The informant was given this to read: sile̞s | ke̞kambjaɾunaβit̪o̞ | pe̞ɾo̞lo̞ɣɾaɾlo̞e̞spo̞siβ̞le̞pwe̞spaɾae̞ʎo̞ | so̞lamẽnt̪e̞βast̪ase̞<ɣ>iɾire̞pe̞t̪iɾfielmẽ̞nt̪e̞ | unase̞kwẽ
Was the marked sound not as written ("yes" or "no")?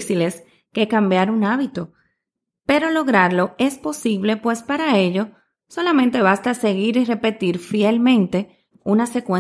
no